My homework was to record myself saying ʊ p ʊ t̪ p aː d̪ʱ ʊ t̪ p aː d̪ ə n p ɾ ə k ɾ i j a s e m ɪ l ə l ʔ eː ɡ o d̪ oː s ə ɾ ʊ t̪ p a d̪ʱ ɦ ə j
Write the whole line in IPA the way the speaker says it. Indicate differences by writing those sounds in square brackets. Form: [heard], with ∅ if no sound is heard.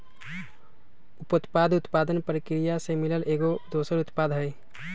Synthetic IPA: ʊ p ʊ t̪ p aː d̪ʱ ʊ t̪ p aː d̪ ə n p ɾ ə k ɾ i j a s e m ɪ l ə l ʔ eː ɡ o d̪ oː s ə ɾ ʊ t̪ p a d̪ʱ ɦ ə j

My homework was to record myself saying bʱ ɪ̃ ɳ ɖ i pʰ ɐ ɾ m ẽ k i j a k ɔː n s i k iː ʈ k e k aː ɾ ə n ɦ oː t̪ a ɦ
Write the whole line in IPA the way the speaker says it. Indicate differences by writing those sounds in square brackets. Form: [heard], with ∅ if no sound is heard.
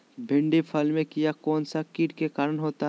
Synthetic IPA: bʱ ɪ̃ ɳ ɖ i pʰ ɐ [l] m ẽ k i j a k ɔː n s [a] k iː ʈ k e k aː ɾ ə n ɦ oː t̪ a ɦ

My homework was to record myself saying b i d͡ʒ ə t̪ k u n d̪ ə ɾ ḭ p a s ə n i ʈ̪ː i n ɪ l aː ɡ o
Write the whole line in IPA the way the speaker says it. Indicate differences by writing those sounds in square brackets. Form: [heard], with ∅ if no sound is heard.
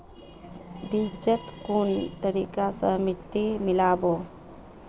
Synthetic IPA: b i d͡ʒ ə t̪ k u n [t̪] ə ɾ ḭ [k] a s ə [m] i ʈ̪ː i [m] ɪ l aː [b] o

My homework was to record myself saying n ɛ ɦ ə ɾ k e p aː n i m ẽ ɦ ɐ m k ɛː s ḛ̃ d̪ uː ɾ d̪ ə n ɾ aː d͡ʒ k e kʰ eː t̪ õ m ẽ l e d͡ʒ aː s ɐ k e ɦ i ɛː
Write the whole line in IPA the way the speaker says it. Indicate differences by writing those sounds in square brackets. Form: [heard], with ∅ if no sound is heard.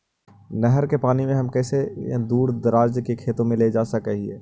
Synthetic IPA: n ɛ ɦ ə ɾ k e p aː n i m ẽ ɦ ɐ m k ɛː s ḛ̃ d̪ uː ɾ d̪ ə [∅] ɾ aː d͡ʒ k e kʰ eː t̪ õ m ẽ l e d͡ʒ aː s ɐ k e ɦ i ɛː

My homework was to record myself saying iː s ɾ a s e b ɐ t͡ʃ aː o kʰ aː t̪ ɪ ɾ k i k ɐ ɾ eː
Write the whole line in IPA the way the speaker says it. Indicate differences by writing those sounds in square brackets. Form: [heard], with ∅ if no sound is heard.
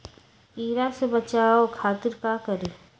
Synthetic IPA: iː [∅] ɾ a s e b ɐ t͡ʃ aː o kʰ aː t̪ ɪ ɾ k [a] k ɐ ɾ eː

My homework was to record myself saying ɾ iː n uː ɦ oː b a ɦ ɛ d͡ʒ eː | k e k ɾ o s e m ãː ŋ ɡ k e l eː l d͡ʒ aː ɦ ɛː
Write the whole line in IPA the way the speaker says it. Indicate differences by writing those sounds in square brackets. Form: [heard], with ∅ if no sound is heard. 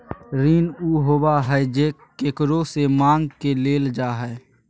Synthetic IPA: ɾ iː n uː ɦ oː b a ɦ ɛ d͡ʒ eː | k e k ɾ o s e m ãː ŋ ɡ k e l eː l d͡ʒ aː ɦ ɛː

